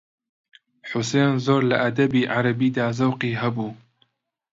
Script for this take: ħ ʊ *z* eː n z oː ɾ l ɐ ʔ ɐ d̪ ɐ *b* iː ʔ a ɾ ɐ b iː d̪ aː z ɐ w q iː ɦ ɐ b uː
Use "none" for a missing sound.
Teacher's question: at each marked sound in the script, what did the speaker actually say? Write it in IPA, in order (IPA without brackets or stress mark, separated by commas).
s, b